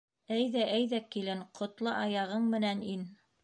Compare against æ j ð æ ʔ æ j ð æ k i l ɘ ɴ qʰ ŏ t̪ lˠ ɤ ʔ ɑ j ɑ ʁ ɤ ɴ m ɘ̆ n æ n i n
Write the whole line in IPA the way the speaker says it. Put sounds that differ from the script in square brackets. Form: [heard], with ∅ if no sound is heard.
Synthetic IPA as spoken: æ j ð æ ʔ æ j ð æ k i l ɘ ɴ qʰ ŏ t̪ lˠ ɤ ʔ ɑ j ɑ ʁ ɤ ɴ m ɘ̆ n æ n i n